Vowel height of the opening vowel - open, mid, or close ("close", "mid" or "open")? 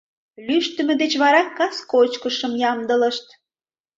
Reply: close